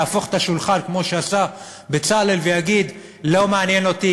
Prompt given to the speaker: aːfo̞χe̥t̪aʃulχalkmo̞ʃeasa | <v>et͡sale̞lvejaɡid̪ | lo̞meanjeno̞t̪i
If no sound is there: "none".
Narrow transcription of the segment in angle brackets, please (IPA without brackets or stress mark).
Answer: b